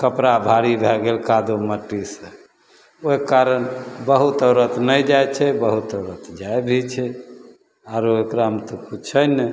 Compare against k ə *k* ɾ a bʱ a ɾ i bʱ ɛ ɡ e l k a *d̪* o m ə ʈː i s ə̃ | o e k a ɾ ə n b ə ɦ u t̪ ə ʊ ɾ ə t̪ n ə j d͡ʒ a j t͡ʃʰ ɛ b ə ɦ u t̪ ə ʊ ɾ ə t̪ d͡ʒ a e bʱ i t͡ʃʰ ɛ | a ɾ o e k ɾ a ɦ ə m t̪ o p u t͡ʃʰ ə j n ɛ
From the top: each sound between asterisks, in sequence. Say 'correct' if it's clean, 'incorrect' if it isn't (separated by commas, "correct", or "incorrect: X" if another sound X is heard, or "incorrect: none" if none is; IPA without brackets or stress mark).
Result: incorrect: p, correct